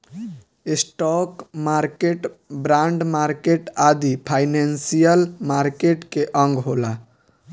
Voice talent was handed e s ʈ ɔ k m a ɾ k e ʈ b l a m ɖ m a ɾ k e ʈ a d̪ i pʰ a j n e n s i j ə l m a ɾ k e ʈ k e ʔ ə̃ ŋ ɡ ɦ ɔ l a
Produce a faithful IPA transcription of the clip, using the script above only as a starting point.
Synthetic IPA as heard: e s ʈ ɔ k m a ɾ k e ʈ b ɾ a ɳ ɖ m a ɾ k e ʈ a d̪ i pʰ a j n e n s i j ə l m a ɾ k e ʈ k e ʔ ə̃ ŋ ɡ ɦ o l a